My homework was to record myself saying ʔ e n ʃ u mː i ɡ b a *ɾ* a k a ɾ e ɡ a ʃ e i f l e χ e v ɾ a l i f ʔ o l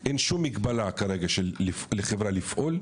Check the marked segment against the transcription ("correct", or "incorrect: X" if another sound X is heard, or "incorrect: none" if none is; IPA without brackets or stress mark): incorrect: l